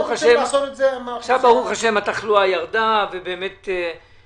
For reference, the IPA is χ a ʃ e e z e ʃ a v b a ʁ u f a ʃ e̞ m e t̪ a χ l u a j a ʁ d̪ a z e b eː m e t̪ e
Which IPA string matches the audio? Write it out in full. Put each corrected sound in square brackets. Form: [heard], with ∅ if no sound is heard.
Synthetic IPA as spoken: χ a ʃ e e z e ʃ a v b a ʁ u [χ] a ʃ e̞ m [a] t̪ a χ l u a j a ʁ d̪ a [v] e b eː m e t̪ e